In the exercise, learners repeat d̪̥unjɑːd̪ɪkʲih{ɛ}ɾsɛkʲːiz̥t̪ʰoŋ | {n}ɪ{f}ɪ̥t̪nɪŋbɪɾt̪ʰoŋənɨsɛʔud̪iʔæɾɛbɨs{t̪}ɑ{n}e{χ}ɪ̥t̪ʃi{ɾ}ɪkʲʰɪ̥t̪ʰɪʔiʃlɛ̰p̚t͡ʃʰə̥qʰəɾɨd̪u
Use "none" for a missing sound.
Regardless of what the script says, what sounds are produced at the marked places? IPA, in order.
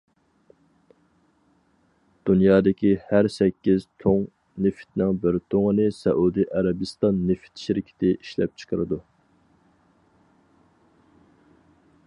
æ, n, f, t̪, nː, f, ɾ

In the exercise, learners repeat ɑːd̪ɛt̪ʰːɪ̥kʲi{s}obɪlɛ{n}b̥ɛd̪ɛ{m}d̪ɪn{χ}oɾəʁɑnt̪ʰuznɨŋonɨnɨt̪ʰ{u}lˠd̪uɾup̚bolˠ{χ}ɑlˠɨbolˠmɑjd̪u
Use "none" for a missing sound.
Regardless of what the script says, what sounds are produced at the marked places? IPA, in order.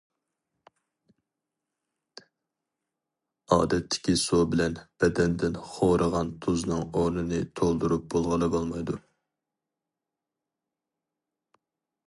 s, n, n, χ, o, ʁ

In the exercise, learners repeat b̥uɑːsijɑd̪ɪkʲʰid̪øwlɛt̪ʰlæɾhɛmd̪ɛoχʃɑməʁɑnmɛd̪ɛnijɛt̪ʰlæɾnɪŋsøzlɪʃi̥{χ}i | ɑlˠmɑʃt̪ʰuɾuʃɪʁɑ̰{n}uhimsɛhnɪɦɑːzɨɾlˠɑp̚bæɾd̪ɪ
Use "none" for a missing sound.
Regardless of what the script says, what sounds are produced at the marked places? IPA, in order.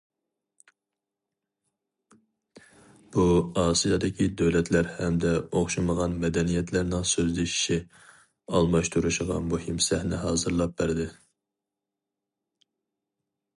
ʃ, m

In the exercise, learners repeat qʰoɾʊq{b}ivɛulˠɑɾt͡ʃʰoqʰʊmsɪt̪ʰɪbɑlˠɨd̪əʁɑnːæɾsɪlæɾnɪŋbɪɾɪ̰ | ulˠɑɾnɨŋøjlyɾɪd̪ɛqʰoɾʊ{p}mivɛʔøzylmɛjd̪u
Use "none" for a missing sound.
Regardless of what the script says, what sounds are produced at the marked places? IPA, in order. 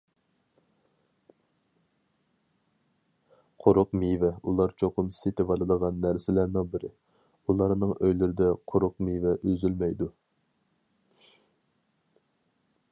m, q

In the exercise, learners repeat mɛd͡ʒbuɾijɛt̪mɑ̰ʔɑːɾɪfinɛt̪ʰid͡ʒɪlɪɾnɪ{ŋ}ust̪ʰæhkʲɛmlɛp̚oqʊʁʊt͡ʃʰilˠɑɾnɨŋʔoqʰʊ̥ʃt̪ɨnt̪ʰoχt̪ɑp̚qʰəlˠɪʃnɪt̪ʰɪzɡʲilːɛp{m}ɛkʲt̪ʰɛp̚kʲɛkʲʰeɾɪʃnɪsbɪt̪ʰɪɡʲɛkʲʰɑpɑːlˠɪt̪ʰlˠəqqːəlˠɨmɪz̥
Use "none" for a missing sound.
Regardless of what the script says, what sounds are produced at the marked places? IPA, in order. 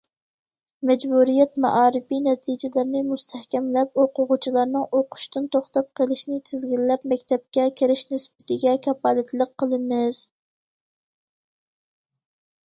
m, m

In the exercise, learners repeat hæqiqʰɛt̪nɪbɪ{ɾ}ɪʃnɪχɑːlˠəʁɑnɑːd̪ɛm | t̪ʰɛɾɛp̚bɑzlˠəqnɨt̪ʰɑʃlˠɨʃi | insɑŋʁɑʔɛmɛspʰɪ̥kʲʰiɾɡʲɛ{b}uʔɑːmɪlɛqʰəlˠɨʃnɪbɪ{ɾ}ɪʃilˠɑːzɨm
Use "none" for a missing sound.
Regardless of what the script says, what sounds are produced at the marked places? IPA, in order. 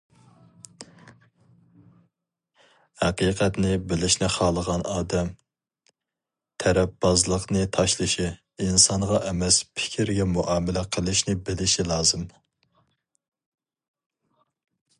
l, m, l

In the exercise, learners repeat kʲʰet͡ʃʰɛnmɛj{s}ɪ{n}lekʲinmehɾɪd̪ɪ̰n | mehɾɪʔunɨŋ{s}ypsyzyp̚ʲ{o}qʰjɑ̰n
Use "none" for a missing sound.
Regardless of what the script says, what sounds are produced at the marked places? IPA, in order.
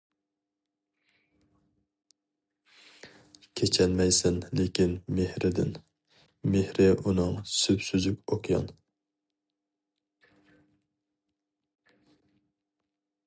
s, n, s, o

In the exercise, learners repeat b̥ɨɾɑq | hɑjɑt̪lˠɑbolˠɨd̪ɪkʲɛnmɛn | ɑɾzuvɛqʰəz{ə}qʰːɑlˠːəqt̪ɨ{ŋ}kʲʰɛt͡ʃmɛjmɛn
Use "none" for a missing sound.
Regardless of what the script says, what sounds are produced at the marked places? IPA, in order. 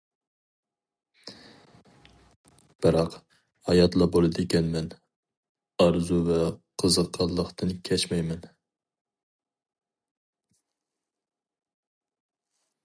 ə, n

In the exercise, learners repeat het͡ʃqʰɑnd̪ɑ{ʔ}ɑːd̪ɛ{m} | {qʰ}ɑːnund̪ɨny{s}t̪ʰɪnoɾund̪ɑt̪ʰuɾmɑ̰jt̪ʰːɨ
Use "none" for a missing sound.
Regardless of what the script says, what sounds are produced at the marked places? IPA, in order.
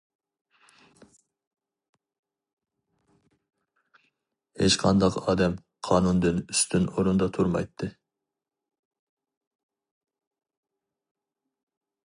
q, m, qʰ, s

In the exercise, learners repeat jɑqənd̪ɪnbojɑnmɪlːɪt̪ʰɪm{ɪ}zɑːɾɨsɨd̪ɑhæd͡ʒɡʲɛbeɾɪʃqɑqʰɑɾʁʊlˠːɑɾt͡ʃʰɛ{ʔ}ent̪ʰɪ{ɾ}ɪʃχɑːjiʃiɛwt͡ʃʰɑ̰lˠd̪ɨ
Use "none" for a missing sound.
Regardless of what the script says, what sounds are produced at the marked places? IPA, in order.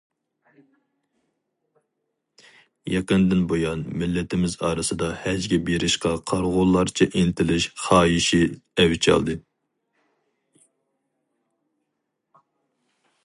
ɪ, ʔ, l

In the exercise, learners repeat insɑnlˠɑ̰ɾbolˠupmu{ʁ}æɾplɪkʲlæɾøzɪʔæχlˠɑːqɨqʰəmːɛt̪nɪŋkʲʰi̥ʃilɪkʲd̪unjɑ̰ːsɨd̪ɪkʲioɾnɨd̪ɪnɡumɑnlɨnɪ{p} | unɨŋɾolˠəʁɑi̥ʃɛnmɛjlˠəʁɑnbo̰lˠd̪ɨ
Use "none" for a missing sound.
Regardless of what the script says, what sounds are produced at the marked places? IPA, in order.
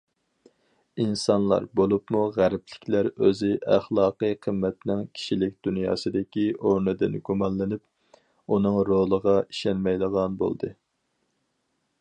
ʁ, p

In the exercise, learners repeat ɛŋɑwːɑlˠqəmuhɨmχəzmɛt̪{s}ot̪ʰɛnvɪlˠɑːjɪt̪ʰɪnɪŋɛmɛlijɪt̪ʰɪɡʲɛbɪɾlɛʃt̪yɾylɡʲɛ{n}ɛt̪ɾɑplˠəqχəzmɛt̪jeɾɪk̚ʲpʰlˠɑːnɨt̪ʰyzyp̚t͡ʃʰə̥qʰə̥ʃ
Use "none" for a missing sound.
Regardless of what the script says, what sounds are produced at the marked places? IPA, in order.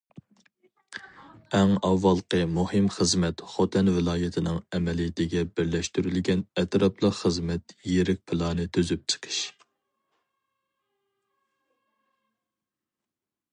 χ, n

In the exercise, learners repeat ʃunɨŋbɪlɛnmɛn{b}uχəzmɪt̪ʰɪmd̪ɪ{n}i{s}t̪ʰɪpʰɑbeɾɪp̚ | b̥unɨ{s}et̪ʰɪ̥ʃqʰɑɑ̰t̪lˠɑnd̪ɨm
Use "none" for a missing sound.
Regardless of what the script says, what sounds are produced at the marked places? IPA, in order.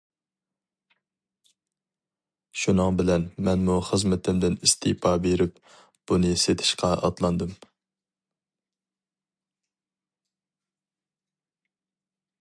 m, n, s, s

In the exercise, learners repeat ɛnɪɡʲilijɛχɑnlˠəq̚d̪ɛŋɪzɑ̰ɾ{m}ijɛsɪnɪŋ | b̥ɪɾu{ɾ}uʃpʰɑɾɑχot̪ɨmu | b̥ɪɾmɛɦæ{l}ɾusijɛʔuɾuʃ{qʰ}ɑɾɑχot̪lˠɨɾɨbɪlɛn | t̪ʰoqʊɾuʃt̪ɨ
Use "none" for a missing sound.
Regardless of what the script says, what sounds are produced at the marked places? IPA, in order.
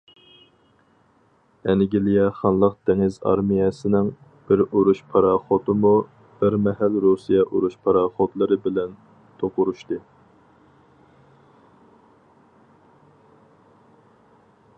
m, ɾ, l, pʰ

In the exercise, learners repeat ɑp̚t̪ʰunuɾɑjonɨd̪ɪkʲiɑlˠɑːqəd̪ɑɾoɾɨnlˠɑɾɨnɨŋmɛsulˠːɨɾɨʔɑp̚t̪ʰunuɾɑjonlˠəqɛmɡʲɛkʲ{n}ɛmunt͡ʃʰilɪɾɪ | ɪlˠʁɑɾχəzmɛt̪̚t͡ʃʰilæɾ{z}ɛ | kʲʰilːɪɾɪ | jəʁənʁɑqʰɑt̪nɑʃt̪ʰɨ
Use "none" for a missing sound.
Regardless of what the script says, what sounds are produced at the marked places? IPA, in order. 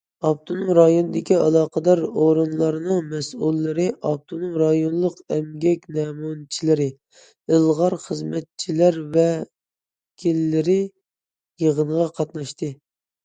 n, v

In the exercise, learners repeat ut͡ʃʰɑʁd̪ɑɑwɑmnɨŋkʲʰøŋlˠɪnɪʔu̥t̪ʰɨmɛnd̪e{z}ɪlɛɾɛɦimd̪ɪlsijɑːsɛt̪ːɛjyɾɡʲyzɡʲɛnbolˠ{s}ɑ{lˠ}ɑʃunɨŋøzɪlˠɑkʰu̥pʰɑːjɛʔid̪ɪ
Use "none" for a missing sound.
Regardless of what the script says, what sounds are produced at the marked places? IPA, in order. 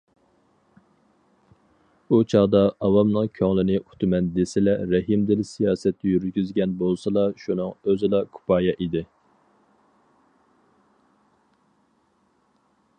s, s, lˠ

